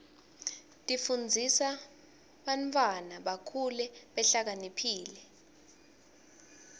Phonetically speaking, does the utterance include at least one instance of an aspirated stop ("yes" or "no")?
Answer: yes